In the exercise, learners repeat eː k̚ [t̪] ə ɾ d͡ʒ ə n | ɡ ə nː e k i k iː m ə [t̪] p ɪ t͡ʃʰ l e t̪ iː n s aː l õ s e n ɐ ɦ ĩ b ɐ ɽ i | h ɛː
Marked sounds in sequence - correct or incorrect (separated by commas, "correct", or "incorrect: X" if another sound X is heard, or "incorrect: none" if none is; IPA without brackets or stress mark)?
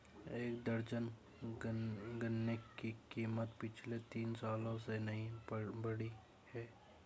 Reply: incorrect: d̪, correct